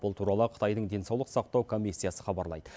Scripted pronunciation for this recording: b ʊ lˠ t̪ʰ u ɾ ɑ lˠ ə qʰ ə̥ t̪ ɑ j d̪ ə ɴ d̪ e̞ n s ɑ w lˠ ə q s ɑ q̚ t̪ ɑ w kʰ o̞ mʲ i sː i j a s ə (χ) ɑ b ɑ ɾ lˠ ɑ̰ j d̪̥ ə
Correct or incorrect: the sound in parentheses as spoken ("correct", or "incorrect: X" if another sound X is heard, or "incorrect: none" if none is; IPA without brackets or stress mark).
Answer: correct